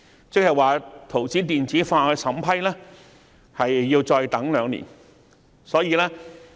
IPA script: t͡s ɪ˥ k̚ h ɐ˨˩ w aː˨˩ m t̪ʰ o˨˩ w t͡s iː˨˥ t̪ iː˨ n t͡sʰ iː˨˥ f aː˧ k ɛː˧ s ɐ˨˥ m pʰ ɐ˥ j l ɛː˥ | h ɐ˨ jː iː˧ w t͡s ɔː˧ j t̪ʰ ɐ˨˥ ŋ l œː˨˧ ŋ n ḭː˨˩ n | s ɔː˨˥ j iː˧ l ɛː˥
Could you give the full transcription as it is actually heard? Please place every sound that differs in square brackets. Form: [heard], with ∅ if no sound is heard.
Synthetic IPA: t͡s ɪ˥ k̚ h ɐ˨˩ w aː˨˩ [∅] t̪ʰ o˨˩ w t͡s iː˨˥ t̪ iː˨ n [t͡s] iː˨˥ f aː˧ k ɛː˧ s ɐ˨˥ m pʰ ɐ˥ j l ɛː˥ | h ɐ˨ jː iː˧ w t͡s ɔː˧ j [t̪] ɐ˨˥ ŋ l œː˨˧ ŋ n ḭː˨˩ n | s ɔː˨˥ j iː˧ l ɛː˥